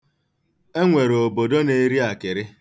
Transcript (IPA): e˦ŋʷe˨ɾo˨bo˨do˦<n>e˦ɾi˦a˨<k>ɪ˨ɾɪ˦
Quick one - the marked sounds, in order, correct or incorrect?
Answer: correct, correct

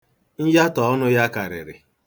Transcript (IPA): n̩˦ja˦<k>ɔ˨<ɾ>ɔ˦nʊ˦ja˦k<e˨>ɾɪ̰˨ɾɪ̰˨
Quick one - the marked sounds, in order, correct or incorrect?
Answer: incorrect, incorrect, incorrect

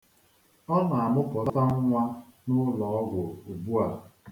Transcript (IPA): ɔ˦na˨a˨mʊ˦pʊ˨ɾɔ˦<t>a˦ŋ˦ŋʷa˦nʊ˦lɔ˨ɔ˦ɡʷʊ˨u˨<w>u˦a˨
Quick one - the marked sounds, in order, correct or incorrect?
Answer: correct, incorrect

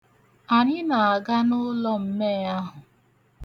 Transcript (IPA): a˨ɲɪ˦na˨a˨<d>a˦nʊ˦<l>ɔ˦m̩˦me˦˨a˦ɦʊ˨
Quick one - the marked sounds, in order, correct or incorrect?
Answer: incorrect, correct

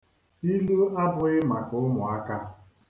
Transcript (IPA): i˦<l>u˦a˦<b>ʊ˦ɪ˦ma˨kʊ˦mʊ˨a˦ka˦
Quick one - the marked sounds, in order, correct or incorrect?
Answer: correct, correct

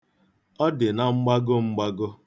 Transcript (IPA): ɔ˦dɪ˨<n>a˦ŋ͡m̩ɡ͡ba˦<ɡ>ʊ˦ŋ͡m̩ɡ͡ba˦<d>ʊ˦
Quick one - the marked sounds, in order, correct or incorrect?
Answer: correct, correct, incorrect

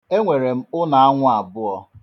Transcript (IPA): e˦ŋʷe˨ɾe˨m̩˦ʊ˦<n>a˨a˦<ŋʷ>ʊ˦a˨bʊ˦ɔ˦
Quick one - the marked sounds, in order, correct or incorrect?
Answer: correct, correct

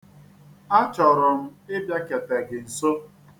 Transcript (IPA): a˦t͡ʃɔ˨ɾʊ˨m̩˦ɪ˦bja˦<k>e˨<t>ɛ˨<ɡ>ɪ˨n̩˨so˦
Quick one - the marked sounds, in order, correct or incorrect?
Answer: correct, correct, correct

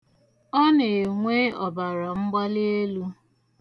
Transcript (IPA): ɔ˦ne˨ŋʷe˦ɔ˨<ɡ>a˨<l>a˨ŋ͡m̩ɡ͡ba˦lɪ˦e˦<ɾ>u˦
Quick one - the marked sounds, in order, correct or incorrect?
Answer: incorrect, incorrect, incorrect

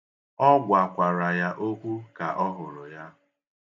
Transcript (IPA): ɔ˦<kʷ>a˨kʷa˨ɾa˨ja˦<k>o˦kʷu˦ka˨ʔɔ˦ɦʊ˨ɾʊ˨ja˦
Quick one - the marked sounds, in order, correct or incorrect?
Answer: incorrect, incorrect

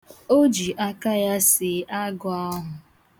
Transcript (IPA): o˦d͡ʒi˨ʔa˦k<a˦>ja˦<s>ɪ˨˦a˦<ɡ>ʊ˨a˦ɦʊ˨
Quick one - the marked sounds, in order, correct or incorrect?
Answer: correct, correct, correct

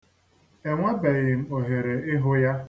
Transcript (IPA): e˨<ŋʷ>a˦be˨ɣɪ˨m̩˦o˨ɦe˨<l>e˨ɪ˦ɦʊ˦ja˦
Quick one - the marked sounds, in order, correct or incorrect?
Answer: correct, incorrect

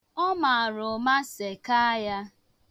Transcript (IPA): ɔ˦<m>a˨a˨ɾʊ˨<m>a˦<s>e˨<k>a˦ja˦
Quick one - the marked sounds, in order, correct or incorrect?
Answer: correct, correct, correct, correct

